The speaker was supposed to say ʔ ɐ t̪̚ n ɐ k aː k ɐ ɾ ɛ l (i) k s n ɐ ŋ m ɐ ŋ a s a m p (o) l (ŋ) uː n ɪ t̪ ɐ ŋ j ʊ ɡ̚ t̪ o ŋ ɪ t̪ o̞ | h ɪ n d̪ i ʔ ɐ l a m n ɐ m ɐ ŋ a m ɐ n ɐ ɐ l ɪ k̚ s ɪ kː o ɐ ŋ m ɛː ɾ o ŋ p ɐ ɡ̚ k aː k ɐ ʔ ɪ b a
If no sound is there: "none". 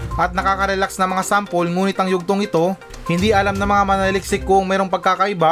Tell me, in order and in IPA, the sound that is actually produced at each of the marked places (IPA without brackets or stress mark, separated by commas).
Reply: a, o, ŋ